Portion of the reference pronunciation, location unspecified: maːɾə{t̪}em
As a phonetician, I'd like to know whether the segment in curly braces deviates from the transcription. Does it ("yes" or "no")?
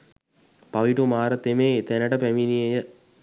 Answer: no